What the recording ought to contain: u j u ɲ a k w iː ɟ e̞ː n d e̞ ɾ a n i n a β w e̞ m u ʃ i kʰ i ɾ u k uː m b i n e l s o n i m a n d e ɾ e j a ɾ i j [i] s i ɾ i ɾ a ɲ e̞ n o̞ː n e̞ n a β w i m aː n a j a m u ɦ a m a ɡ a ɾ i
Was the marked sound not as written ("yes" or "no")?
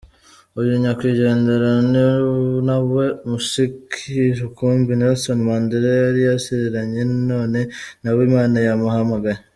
yes